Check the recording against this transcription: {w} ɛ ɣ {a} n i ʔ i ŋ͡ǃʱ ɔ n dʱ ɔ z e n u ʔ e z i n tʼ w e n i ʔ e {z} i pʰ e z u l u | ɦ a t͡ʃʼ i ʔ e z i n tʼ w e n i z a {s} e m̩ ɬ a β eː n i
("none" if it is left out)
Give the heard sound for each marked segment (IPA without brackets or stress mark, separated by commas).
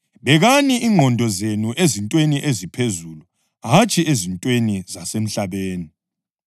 β, a, z, s